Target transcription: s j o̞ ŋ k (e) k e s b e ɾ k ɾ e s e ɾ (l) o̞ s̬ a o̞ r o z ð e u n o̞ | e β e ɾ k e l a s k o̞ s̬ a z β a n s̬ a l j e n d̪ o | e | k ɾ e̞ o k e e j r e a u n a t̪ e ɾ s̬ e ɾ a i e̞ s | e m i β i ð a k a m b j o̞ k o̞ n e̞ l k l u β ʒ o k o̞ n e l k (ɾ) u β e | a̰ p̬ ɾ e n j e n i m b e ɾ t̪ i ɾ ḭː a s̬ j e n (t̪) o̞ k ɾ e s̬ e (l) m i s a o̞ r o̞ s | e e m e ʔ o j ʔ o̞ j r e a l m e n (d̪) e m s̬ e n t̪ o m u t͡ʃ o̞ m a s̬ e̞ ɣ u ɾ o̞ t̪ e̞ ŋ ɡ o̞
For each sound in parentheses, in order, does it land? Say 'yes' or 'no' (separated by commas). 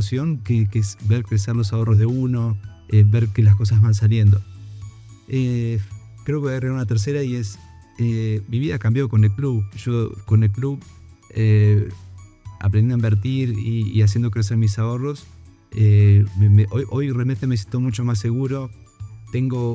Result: yes, yes, no, no, no, no